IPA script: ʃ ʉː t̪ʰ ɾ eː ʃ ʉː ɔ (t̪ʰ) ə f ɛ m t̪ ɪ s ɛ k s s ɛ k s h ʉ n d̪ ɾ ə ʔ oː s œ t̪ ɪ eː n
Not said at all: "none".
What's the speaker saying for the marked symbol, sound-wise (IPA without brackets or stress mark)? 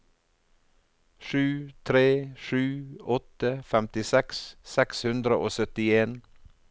t̪